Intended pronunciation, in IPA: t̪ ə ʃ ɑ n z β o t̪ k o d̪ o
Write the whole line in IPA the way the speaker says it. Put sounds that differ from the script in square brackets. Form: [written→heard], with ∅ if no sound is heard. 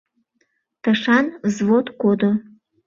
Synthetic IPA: t̪ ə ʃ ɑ n z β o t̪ k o d̪ o